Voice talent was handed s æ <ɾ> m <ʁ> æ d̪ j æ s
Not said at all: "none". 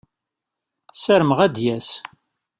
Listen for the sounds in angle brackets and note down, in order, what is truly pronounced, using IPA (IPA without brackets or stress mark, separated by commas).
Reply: ɾ, ʁ